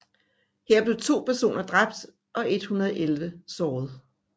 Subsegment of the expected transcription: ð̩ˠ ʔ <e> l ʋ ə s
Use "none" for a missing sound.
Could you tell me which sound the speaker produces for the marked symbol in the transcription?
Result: e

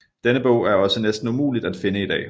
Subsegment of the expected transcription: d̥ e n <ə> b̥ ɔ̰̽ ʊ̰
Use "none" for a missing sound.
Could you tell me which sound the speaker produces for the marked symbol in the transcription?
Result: ə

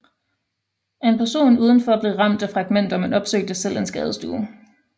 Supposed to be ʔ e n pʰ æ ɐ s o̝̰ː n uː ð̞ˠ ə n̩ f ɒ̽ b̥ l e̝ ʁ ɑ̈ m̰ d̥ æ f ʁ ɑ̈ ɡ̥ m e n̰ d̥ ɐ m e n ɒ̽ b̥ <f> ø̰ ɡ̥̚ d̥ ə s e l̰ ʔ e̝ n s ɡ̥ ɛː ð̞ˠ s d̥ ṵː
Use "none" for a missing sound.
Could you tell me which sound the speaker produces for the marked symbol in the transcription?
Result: s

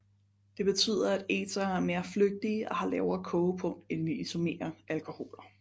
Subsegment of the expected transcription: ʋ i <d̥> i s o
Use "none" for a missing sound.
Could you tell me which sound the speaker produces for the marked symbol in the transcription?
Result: none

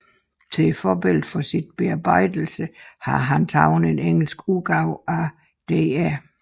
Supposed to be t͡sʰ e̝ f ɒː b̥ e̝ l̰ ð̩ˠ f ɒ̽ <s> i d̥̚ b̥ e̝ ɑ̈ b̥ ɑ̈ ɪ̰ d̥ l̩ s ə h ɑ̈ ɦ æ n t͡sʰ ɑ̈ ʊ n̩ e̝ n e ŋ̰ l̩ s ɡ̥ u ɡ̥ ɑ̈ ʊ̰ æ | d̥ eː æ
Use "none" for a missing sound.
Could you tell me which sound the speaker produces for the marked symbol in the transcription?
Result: s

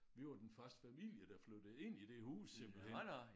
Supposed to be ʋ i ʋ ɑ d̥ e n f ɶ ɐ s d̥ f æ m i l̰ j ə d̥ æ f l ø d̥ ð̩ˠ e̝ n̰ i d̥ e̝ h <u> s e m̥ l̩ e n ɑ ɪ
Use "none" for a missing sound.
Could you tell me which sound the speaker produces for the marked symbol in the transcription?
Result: uː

